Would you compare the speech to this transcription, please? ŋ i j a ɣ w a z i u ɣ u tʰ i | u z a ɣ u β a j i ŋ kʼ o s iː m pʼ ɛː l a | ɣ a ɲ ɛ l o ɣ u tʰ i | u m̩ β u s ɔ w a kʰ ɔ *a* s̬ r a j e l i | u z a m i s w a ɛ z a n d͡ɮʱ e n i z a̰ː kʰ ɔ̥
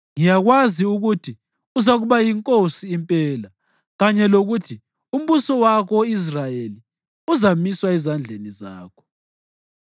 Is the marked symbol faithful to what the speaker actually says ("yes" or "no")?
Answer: no